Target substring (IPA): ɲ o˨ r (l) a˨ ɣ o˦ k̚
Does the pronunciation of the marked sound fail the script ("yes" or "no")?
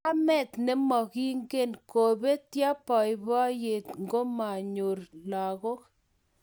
no